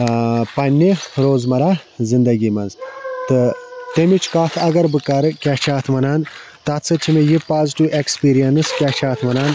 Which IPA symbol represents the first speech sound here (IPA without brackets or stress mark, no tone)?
p